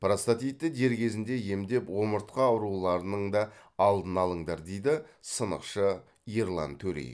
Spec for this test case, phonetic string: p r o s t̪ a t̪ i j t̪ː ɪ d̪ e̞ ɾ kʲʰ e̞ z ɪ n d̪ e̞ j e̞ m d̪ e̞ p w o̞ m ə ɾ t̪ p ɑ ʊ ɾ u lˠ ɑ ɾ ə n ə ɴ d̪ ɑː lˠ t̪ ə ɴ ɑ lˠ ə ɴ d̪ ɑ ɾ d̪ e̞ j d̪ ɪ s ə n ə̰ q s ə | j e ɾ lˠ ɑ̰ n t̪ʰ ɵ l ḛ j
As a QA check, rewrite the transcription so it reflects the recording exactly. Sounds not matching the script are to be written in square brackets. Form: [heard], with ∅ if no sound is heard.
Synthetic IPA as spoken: p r o s t̪ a t̪ i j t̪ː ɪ d̪ e̞ ɾ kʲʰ e̞ z ɪ n d̪ e̞ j e̞ m d̪ e̞ p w o̞ m ə ɾ t̪ [q] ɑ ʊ ɾ u lˠ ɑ ɾ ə n ə ɴ d̪ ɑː lˠ [d̪] ə [n] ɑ lˠ ə ɴ d̪ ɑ ɾ d̪ e̞ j d̪ ɪ s ə n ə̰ q [ʃ] ə | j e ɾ lˠ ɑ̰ n t̪ʰ ɵ [ɾ] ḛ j

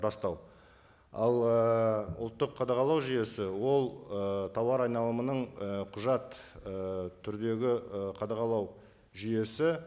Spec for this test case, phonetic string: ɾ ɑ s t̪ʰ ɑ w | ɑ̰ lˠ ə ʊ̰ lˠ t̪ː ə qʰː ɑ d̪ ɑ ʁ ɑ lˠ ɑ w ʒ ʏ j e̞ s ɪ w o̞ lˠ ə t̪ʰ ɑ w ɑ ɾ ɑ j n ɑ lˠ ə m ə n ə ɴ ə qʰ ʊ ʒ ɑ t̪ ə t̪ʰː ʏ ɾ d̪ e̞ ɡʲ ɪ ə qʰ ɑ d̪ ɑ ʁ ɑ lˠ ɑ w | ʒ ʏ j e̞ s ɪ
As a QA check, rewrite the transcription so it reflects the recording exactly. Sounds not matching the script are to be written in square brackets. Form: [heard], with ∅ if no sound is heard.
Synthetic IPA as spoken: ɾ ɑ s [t̪] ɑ w | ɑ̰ lˠ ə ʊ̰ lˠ t̪ː ə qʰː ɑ d̪ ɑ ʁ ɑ lˠ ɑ w ʒ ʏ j e̞ s ɪ w o̞ lˠ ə t̪ʰ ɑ w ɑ ɾ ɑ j n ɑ lˠ ə m ə n ə ɴ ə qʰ ʊ ʒ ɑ t̪ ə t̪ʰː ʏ ɾ d̪ e̞ ɡʲ ɪ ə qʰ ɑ d̪ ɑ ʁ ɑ lˠ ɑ w | ʒ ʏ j e̞ s ɪ

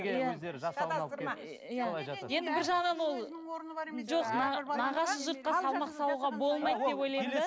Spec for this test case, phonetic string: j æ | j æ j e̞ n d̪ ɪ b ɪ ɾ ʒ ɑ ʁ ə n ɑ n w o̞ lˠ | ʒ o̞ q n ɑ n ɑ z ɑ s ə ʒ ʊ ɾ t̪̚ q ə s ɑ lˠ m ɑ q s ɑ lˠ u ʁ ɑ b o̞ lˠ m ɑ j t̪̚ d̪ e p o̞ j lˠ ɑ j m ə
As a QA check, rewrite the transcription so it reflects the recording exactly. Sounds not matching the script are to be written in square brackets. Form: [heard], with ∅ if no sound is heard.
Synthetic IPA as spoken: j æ | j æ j e̞ n d̪ ɪ b ɪ ɾ ʒ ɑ ʁ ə n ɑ n w o̞ lˠ | ʒ o̞ q n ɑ n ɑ [ʁ] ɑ s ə ʒ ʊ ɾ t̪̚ q [ɑ] s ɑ lˠ m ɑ q s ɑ lˠ u ʁ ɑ b o̞ lˠ m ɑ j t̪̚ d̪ e p o̞ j lˠ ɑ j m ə

